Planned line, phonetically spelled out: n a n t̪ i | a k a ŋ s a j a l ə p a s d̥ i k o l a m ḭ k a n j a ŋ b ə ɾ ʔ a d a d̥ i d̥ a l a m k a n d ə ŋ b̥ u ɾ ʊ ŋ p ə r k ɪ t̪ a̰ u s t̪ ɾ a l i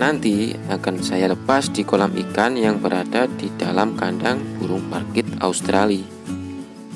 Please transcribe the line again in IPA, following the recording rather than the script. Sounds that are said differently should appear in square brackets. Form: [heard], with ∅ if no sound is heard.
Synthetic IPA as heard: n a n t̪ i | a k a [n] s a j a l ə p a s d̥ i k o l a m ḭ k a n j a ŋ b ə ɾ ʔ a d a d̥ i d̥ a l a m k a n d [a] ŋ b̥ u ɾ ʊ ŋ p [a] r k ɪ t̪ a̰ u s t̪ ɾ a l i